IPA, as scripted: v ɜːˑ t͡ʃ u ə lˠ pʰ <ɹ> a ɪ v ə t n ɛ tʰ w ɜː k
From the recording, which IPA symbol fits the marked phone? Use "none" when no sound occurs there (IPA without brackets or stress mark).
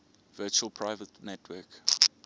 ɹ